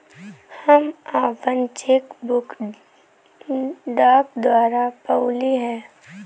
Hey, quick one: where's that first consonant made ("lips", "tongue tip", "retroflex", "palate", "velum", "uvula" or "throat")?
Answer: throat